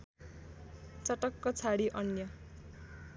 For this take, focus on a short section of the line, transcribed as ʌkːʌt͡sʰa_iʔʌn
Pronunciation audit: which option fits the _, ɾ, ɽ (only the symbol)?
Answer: ɽ